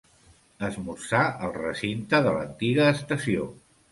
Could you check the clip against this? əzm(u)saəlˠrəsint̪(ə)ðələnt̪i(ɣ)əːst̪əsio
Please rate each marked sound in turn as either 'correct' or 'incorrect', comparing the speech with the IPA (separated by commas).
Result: correct, correct, correct